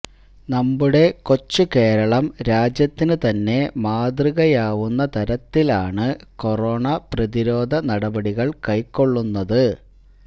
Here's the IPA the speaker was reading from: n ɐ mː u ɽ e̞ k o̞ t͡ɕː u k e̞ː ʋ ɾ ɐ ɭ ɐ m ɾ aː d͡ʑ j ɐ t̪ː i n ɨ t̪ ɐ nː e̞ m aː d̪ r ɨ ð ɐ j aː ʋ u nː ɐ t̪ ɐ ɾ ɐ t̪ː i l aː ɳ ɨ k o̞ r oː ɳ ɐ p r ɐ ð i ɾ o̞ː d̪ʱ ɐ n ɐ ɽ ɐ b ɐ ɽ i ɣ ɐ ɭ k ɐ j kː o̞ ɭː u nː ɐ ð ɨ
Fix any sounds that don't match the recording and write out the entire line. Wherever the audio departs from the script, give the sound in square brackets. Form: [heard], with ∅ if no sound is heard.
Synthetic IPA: n ɐ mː u ɽ e̞ k o̞ t͡ɕː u k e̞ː [∅] ɾ ɐ ɭ ɐ m ɾ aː d͡ʑ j ɐ t̪ː i n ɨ t̪ ɐ nː e̞ m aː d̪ r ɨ [ɣ] ɐ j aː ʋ u nː ɐ t̪ ɐ ɾ ɐ t̪ː i l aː ɳ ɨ k o̞ r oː ɳ ɐ p r ɐ ð i ɾ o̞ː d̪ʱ ɐ n ɐ ɽ ɐ b ɐ ɽ i ɣ ɐ ɭ k ɐ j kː o̞ ɭː u nː ɐ ð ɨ